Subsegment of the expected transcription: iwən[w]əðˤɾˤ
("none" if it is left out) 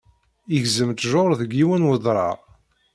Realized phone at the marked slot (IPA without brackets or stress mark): w